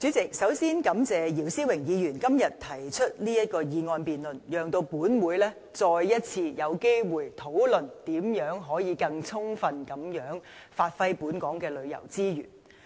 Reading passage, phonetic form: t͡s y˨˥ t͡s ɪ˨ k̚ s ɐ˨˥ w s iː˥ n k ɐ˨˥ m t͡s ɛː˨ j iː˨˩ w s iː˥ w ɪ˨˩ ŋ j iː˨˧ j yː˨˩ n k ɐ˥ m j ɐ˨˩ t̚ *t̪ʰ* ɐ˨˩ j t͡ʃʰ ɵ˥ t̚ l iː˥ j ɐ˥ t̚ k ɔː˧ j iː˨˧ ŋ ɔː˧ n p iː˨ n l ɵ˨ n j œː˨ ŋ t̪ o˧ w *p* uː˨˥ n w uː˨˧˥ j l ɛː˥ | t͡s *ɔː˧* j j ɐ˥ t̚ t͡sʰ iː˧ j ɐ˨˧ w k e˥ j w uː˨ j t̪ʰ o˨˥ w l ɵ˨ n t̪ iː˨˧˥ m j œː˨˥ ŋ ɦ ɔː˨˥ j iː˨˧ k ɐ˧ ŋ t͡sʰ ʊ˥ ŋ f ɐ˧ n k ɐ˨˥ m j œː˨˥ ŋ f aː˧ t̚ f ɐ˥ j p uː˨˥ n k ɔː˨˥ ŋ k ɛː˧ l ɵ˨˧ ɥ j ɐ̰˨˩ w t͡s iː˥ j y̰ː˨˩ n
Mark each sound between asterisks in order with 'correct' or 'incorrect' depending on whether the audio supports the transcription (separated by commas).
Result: correct, correct, correct